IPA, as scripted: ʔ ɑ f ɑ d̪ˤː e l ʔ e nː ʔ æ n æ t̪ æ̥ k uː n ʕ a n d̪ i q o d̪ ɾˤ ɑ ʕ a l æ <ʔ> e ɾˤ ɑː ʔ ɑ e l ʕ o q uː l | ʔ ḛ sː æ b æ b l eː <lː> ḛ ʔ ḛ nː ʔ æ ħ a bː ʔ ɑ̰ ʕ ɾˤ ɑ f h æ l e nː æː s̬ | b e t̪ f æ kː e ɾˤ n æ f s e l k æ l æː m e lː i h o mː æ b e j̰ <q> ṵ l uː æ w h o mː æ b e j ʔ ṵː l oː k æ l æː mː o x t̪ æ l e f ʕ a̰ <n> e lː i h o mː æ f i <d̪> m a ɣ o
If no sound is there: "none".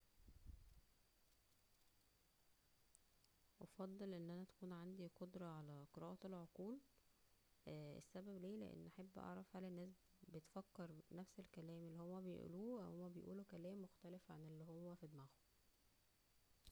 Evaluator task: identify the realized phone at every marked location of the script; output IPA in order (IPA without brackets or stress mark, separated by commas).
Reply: q, l, ʔ, n, d̪